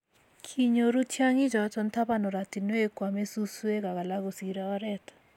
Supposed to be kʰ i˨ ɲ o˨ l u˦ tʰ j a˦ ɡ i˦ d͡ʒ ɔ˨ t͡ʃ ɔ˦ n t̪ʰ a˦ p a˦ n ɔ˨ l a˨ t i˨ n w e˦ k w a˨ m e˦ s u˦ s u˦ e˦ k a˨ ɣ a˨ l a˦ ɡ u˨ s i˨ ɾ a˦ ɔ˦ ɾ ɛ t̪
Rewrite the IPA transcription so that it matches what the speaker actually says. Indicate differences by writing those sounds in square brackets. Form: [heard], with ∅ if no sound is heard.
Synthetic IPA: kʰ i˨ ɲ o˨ [ɾ] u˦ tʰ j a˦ [ŋ] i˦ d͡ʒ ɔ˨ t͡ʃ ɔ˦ n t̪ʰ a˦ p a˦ n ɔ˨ [ɾ] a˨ t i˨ n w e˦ k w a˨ m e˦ s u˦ s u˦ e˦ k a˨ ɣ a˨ l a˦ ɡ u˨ s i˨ ɾ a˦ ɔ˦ ɾ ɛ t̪